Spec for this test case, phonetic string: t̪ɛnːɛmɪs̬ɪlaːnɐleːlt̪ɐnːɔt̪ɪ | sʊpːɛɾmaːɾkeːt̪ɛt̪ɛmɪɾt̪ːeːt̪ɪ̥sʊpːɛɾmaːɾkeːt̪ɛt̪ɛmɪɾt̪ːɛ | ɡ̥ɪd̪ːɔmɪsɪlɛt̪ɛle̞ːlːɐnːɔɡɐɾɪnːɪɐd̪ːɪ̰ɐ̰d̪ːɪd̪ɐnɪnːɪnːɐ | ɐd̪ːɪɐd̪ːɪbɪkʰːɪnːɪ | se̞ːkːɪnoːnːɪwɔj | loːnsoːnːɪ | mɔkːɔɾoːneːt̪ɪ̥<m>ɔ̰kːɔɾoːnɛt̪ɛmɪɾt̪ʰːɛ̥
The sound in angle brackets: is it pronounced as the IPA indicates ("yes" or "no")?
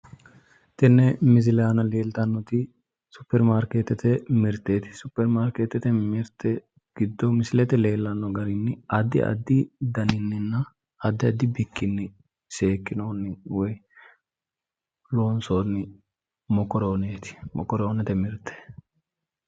yes